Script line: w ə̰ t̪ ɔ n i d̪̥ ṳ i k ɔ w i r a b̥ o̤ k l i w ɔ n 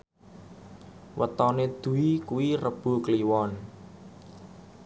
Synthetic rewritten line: w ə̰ t̪ ɔ n e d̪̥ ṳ i k u w i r ə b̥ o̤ k l i w ɔ n